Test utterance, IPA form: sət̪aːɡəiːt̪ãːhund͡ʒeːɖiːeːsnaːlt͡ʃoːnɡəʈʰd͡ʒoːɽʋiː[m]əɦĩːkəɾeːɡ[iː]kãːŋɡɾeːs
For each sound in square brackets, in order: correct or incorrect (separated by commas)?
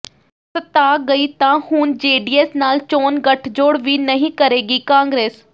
incorrect, correct